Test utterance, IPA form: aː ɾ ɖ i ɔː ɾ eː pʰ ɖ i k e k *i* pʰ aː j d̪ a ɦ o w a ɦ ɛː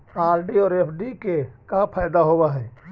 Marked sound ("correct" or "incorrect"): incorrect